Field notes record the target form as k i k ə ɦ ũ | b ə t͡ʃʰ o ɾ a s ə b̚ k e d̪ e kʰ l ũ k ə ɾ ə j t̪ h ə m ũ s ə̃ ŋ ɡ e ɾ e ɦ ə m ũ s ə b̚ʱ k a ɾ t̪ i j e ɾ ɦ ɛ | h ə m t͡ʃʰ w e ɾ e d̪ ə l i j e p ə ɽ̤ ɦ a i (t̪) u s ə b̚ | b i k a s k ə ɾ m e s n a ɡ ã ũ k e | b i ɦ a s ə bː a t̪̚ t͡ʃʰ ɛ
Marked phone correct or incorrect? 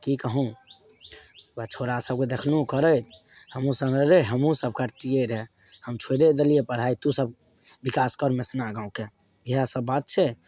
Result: correct